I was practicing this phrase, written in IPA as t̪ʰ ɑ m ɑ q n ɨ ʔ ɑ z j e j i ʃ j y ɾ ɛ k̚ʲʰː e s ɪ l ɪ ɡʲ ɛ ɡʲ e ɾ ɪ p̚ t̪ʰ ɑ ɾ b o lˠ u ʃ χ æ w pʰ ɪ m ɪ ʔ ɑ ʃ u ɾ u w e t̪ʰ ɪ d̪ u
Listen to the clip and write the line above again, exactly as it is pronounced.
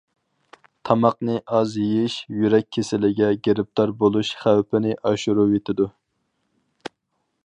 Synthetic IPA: t̪ʰ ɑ m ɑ q n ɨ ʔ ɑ z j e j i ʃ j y ɾ ɛ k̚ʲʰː e s ɪ l ɪ ɡʲ ɛ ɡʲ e ɾ ɪ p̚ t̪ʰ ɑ ɾ b o lˠ u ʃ χ æ w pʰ ɪ n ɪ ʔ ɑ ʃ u ɾ u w e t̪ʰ ɪ d̪ u